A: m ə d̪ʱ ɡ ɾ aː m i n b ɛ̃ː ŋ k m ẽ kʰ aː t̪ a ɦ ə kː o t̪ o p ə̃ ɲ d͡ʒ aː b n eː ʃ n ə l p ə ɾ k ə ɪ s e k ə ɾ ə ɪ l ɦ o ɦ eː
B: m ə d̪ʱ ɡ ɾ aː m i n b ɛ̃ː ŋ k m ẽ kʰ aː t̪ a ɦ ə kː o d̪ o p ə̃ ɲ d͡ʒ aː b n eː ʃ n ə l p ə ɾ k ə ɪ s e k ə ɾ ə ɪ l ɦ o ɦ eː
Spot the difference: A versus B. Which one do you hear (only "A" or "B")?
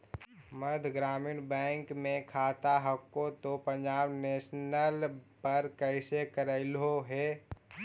A